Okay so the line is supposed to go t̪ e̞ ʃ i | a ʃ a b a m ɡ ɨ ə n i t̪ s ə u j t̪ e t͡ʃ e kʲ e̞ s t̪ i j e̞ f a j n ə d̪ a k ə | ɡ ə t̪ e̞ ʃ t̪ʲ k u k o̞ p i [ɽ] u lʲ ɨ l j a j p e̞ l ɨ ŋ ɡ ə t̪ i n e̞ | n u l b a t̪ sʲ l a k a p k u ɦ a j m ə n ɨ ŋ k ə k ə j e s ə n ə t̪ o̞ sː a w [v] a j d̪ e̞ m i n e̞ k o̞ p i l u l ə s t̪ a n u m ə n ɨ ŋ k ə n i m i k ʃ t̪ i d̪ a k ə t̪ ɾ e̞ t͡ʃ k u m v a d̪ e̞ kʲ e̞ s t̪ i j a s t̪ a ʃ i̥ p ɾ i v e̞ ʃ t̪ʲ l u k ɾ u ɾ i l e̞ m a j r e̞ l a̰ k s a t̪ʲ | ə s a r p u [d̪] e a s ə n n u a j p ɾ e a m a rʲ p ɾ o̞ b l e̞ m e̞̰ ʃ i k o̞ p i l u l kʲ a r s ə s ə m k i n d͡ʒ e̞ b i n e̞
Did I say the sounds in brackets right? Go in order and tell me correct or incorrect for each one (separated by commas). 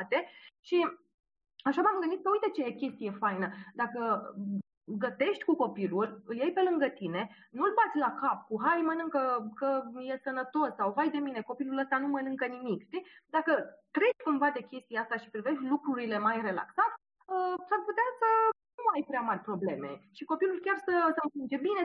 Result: incorrect, correct, incorrect